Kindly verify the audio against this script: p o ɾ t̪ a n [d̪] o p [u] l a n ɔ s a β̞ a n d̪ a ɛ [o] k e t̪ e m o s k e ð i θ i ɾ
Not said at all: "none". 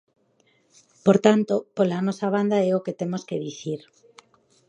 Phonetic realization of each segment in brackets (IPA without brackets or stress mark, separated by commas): t̪, o, o